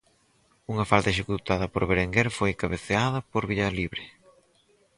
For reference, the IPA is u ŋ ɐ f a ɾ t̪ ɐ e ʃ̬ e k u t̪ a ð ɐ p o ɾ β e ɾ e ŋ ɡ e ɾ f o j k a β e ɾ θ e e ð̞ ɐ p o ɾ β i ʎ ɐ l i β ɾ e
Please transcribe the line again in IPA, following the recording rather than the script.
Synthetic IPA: u ŋ ɐ f a l t̪ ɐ e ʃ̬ e k u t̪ a ð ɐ p o ɾ β e ɾ e ŋ ɡ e ɾ f o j k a β e θ e a ð̞ ɐ p o ɾ β i ʎ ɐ l i β ɾ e